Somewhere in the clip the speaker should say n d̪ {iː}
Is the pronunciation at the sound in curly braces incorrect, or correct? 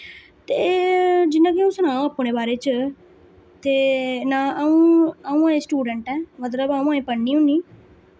correct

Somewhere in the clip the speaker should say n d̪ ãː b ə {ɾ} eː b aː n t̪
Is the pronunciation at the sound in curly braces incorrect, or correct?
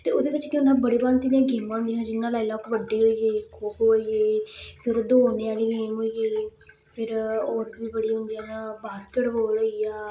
incorrect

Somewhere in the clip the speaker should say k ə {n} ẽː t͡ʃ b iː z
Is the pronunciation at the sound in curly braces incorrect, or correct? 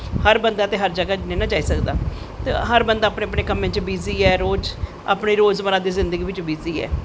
incorrect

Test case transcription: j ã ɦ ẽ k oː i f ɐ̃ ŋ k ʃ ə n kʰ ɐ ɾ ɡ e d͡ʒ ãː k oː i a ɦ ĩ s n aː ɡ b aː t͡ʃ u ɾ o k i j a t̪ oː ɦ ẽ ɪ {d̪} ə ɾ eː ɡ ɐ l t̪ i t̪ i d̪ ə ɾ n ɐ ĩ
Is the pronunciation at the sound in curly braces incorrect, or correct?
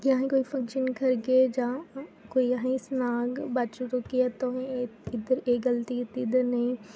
correct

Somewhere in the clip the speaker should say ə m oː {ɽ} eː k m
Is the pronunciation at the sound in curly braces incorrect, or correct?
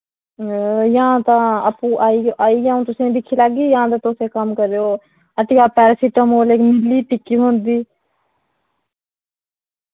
incorrect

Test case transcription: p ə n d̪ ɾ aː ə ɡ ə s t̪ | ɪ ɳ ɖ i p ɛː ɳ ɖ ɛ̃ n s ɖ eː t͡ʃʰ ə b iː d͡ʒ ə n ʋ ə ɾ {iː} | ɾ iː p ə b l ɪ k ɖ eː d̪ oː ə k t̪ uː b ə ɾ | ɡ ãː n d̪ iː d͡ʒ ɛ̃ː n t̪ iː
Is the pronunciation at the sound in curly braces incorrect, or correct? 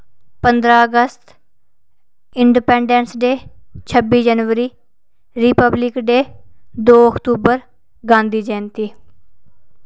correct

